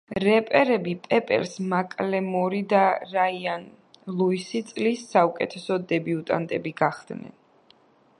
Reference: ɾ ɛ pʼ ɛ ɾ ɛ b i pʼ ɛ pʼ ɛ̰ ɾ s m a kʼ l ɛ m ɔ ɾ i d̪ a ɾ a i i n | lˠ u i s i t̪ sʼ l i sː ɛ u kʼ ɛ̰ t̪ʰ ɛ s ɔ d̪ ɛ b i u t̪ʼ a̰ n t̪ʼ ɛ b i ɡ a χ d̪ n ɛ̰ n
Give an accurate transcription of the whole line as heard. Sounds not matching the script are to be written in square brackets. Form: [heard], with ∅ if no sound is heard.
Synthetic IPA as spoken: ɾ ɛ pʼ ɛ ɾ ɛ b i pʼ ɛ pʼ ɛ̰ ɾ s m a kʼ l ɛ m ɔ ɾ i d̪ a ɾ a i [a] n | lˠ u i s i t̪ sʼ l i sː [a] u kʼ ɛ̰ t̪ʰ ɛ s ɔ d̪ ɛ b i u t̪ʼ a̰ n t̪ʼ ɛ b i ɡ a χ d̪ n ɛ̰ n

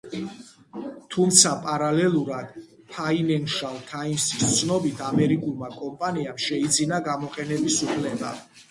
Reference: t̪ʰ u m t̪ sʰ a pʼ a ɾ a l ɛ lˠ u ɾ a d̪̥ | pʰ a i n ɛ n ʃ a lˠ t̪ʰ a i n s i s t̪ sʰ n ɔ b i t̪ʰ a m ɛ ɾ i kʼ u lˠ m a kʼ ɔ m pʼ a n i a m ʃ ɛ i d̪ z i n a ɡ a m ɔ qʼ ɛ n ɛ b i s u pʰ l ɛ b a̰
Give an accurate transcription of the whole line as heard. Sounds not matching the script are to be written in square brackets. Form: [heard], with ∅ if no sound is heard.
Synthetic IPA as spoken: t̪ʰ u m t̪ sʰ a pʼ a ɾ a l ɛ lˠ u ɾ a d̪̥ | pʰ a i n ɛ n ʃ a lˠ t̪ʰ a i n s i s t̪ sʰ n ɔ b i t̪ʰ a m ɛ ɾ i kʼ u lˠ m a kʼ ɔ m pʼ a n i a m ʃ ɛ i d̪ z i n a ɡ a m ɔ qʼ ɛ n ɛ b i s u pʰ l ɛ b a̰

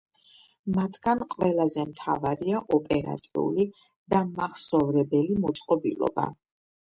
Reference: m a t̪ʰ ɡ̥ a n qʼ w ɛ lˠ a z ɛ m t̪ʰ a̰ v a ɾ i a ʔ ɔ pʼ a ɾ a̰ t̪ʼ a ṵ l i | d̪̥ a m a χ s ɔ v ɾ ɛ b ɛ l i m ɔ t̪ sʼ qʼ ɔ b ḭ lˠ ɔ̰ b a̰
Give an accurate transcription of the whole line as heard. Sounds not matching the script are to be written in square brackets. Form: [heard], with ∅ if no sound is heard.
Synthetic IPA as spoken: m a t̪ʰ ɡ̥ a n qʼ w ɛ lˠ a z ɛ m t̪ʰ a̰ v a ɾ i a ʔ ɔ pʼ [ɛ] ɾ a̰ t̪ʼ [i] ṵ l i | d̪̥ a m a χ s ɔ v ɾ ɛ b ɛ l i m ɔ t̪ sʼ qʼ ɔ b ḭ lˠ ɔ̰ b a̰

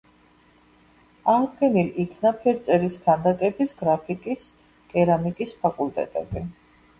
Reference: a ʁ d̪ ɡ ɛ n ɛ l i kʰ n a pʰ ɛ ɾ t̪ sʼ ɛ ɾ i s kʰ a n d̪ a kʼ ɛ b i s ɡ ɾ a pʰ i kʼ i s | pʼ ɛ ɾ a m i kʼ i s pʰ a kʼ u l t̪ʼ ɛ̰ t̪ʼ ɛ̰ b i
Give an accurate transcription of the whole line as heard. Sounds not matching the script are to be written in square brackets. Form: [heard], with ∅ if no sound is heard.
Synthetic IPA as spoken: a ʁ d̪ ɡ ɛ n [i] l i kʰ n a pʰ ɛ ɾ t̪ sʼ ɛ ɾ i s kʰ a n d̪ a kʼ ɛ b i s ɡ ɾ a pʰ i kʼ i s | [kʼ] ɛ ɾ a m i kʼ i s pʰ a kʼ u l t̪ʼ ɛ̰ t̪ʼ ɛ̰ b i

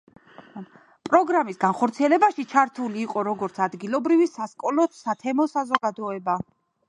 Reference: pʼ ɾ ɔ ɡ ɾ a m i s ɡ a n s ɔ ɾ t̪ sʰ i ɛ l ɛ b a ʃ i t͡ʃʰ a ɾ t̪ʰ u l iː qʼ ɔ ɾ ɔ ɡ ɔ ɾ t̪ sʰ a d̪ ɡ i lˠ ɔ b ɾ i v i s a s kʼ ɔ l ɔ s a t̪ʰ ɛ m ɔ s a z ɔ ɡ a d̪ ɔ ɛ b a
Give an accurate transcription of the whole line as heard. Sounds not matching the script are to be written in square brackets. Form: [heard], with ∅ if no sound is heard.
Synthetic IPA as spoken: pʼ ɾ ɔ ɡ ɾ a m i s ɡ a n [χ] ɔ ɾ t̪ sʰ i ɛ l ɛ b a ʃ i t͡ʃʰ a ɾ t̪ʰ u l iː qʼ ɔ ɾ ɔ ɡ ɔ ɾ t̪ sʰ a d̪ ɡ i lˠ ɔ b ɾ i v i s a s kʼ ɔ l ɔ s a t̪ʰ ɛ m ɔ s a z ɔ ɡ a d̪ ɔ ɛ b a

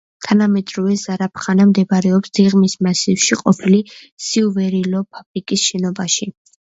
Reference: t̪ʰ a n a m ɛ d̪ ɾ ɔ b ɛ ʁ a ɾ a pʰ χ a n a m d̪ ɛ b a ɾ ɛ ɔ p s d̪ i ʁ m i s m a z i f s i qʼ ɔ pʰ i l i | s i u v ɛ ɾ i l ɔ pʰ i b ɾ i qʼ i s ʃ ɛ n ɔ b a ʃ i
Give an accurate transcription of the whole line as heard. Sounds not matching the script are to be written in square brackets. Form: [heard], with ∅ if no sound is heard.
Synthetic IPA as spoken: t̪ʰ a n a m ɛ d̪ ɾ ɔ [v] ɛ [z] a ɾ a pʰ χ a n a m d̪ ɛ b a ɾ ɛ ɔ p s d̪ i ʁ m i s m a [s] i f [ʃ] i qʼ ɔ pʰ i l i | s i u v ɛ ɾ i l ɔ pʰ [a] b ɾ i [kʼ] i s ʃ ɛ n ɔ b a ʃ i

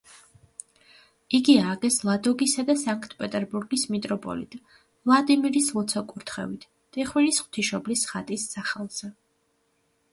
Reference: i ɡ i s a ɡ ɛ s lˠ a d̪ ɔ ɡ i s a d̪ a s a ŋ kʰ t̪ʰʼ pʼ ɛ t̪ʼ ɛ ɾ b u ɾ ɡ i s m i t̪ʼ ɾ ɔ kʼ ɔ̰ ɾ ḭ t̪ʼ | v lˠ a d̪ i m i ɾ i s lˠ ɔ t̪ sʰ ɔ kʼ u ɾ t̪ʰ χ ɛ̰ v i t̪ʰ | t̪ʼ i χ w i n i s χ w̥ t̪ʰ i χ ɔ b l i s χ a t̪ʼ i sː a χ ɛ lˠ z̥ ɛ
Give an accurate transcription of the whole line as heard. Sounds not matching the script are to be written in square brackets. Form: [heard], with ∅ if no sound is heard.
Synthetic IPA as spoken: i ɡ i [∅] a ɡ ɛ s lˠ a d̪ ɔ ɡ i s a d̪ a s a ŋ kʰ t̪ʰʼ pʼ ɛ t̪ʼ ɛ ɾ b u ɾ ɡ i s m i t̪ʼ ɾ ɔ [pʼ] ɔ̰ [l] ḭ t̪ʼ | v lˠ a d̪ i m i ɾ i s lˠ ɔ t̪ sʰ ɔ kʼ u ɾ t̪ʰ χ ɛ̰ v i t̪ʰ | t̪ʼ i χ w i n i s χ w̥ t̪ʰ i [ʃ] ɔ b l i s χ a t̪ʼ i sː a χ ɛ lˠ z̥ ɛ

